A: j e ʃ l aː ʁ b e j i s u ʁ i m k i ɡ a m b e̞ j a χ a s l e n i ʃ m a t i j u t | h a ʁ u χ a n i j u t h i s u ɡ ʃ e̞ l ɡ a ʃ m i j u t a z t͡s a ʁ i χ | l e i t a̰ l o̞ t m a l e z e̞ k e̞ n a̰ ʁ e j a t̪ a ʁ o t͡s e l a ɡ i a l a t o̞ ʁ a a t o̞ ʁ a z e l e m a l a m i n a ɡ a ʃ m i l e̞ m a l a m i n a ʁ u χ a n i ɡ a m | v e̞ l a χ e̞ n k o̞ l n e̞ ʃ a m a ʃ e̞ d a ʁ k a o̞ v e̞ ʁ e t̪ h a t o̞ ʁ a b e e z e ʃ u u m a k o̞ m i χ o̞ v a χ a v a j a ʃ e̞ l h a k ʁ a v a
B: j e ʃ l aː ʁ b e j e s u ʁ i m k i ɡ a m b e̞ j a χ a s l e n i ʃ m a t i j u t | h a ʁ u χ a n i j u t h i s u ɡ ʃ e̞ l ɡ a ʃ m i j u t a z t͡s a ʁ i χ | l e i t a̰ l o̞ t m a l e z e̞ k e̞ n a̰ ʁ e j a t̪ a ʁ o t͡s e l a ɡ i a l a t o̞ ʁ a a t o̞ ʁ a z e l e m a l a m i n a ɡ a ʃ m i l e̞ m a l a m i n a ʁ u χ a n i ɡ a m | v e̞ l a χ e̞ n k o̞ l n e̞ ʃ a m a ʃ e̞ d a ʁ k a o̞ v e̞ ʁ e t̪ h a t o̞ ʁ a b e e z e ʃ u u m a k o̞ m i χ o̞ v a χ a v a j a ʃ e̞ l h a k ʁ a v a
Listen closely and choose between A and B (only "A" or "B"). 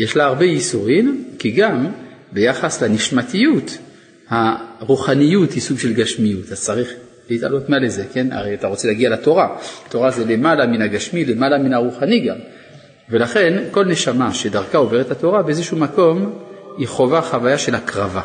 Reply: A